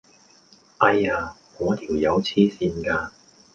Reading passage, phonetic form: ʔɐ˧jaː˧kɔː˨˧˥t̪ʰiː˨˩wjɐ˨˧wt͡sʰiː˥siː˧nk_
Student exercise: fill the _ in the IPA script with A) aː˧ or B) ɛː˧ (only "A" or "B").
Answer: A